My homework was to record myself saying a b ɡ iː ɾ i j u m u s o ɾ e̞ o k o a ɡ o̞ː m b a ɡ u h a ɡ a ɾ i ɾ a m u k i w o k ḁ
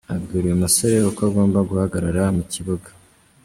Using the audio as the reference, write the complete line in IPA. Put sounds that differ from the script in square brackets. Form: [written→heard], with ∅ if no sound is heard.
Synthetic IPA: a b ɡ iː ɾ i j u m u s o ɾ e̞ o k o a ɡ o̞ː m b a ɡ u h a ɡ a ɾ [i→a] ɾ a m u [k→c] i [w→β] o [k→ɡ] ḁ

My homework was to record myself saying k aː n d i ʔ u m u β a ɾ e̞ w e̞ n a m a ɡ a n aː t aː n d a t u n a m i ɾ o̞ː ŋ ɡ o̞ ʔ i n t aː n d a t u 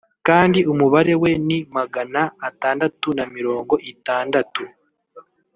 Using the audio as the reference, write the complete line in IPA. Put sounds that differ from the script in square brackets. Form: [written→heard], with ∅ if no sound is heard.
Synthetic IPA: k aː n d i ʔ u m u β a ɾ e̞ w e̞ n [a→i] m a ɡ a n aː t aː n d a t u n a m i ɾ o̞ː ŋ ɡ o̞ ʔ i [n→∅] t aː n d a t u

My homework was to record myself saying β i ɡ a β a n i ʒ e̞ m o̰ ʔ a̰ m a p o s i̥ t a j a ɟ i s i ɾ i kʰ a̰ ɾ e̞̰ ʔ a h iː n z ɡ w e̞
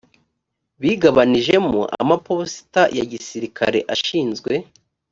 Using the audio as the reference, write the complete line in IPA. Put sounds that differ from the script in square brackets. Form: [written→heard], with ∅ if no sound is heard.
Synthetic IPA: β i ɡ a β a n i ʒ e̞ m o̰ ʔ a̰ m a p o s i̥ t a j a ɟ i s i ɾ i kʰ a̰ ɾ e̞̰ ʔ a [h→ʃ] iː n z ɡ w e̞

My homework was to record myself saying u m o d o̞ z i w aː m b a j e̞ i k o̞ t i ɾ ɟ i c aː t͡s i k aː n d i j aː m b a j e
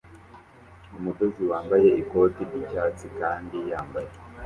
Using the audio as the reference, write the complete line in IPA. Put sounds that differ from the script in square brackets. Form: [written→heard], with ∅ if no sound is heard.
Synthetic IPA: u m [o→u] d o̞ z i w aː m b a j e̞ i k o̞ t i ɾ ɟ i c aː t͡s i k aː n d i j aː m b a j e

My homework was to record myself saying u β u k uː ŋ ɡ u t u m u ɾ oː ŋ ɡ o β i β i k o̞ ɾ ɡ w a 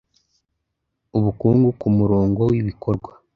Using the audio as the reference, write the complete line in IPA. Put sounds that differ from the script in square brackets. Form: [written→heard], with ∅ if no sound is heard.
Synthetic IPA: u β u k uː ŋ ɡ u [t→k] u m u ɾ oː ŋ ɡ o [β→w] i β i k o̞ ɾ ɡ w a

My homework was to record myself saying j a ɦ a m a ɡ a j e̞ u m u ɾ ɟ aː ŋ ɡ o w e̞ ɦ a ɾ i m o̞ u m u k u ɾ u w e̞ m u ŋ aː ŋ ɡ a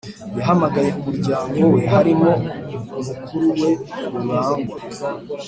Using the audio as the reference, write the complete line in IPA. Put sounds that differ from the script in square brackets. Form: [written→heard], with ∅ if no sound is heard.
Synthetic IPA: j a ɦ a m a ɡ a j e̞ u m u ɾ ɟ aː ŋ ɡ o w e̞ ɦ a ɾ i m o̞ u m u k u ɾ u w e̞ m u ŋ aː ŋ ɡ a

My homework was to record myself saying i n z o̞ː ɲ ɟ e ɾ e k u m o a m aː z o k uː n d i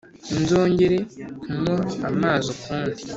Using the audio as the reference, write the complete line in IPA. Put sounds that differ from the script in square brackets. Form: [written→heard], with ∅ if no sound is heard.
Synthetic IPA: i n z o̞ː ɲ ɟ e ɾ e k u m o a m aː z o k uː n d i

